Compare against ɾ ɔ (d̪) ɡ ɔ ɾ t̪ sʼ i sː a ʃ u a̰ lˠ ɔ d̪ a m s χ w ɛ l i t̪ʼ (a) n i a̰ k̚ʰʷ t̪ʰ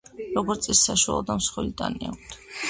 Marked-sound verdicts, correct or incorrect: incorrect, correct

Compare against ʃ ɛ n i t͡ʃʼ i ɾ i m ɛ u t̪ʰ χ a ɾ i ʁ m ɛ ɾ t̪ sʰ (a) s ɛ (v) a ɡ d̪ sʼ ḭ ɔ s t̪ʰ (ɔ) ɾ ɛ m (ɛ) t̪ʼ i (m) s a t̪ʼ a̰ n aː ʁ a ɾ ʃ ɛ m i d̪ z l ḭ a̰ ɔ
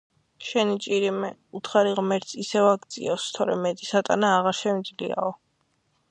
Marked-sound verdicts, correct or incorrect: incorrect, correct, correct, correct, incorrect

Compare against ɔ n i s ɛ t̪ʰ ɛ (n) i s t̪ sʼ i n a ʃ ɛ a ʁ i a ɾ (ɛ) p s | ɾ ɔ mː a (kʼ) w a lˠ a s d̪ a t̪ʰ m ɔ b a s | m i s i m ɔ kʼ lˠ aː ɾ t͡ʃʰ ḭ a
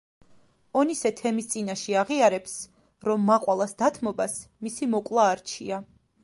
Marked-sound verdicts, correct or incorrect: incorrect, correct, incorrect

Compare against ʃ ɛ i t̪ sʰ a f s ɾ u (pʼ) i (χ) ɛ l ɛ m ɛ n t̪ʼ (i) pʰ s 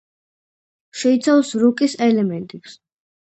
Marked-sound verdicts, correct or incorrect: incorrect, incorrect, correct

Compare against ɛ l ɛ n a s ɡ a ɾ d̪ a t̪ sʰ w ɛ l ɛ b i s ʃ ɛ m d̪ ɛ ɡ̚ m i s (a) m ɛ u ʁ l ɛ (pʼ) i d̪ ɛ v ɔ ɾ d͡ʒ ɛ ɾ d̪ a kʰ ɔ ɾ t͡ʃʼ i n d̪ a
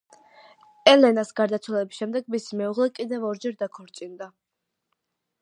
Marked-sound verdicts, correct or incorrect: incorrect, incorrect

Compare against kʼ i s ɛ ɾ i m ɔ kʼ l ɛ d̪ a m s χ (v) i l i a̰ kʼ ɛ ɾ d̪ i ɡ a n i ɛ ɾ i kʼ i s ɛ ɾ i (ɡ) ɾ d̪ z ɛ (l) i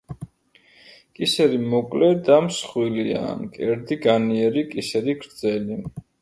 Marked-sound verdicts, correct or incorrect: incorrect, correct, correct

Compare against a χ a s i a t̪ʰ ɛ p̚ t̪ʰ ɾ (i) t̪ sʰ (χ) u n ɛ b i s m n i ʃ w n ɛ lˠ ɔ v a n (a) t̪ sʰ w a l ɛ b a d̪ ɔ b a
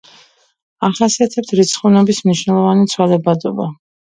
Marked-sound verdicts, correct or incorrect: correct, correct, incorrect

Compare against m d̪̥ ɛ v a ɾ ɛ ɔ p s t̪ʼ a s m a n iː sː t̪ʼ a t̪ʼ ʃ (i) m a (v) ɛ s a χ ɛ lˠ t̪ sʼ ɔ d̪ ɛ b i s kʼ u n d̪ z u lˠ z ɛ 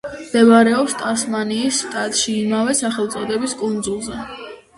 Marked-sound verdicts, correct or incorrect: incorrect, correct

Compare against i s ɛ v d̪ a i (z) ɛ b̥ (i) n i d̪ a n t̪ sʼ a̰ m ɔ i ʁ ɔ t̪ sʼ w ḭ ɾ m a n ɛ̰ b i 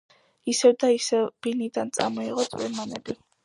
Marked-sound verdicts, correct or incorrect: incorrect, correct

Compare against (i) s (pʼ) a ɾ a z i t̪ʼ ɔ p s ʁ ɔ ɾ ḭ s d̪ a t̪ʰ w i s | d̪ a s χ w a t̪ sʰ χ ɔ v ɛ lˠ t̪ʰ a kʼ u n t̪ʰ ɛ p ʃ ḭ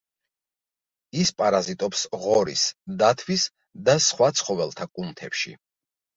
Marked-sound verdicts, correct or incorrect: correct, correct

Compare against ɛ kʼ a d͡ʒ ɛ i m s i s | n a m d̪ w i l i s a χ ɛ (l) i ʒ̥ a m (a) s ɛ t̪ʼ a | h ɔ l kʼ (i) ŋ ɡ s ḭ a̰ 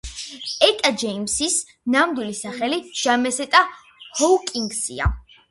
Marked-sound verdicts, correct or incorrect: correct, incorrect, correct

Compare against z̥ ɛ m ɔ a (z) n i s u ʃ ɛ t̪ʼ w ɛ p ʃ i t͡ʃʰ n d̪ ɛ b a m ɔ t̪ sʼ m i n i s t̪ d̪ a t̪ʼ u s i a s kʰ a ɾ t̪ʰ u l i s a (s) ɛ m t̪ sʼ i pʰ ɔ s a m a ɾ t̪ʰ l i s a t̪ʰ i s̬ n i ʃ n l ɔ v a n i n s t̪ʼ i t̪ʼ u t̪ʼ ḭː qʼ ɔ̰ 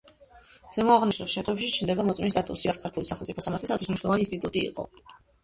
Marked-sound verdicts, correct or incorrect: incorrect, incorrect

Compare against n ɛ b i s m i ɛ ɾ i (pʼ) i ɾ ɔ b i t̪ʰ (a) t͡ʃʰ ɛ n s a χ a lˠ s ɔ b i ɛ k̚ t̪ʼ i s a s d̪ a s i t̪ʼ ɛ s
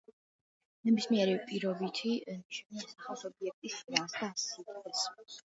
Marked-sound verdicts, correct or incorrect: correct, incorrect

